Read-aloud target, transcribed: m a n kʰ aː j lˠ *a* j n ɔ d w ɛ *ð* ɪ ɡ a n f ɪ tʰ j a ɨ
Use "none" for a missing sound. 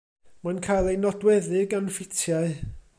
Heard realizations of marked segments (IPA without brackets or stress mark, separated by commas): e, ð